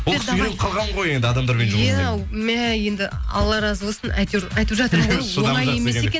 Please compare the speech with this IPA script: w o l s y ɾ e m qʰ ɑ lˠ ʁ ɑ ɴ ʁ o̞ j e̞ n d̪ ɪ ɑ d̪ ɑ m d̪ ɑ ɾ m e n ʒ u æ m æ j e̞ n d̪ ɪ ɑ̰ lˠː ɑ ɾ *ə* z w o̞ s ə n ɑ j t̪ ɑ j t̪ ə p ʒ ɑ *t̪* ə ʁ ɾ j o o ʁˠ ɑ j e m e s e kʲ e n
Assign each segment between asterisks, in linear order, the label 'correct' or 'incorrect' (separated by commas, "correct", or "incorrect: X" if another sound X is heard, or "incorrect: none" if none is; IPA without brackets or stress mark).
incorrect: ɑ, correct